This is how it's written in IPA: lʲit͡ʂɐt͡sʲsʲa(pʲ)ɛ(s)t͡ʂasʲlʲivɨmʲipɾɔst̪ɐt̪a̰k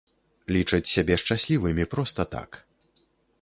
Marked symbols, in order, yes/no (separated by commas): no, no